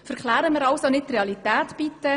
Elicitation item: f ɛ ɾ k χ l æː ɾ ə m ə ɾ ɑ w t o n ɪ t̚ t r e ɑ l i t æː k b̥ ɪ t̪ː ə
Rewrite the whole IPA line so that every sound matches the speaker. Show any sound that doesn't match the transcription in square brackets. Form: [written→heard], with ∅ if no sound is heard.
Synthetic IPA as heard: f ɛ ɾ k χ l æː ɾ ə m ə ɾ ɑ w [t→s] o n ɪ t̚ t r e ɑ l i t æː [k→t] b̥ [ɪ→i] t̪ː ə